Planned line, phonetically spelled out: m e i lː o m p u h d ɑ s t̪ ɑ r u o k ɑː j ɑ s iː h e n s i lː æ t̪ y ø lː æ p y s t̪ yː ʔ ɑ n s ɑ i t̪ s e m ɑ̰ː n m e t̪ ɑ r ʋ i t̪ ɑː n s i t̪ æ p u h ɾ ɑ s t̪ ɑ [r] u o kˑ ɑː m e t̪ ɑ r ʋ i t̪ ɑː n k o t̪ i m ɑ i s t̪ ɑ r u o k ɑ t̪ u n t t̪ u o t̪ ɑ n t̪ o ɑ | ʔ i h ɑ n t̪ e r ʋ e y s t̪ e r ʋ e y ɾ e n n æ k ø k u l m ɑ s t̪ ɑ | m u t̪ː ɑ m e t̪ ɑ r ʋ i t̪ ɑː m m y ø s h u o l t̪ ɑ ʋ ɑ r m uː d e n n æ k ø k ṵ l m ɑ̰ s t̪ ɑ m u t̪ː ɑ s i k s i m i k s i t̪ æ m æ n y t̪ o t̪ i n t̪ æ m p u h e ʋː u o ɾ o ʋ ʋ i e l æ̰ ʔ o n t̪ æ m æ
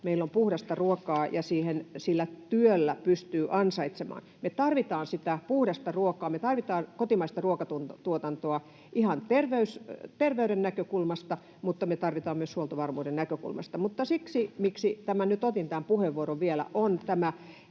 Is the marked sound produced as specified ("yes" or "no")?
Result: yes